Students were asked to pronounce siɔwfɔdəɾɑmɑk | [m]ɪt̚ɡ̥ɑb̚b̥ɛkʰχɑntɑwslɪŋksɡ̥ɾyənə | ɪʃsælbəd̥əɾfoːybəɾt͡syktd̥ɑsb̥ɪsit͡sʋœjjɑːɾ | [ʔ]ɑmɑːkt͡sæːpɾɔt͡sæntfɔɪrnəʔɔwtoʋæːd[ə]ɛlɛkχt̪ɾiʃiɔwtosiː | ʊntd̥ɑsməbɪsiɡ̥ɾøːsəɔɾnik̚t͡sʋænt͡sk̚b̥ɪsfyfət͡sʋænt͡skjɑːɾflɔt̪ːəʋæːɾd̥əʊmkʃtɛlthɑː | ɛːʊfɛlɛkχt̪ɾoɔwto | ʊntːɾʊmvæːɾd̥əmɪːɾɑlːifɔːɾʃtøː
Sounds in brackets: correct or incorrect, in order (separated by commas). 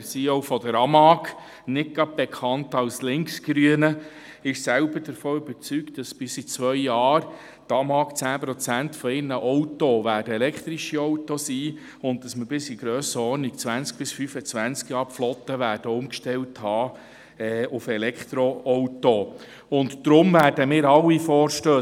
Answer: incorrect, incorrect, correct